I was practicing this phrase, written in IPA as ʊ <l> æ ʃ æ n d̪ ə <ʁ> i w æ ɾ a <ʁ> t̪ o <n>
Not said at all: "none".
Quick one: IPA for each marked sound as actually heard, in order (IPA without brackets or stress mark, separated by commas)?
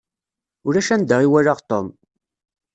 ɾ, ʁ, ʁ, m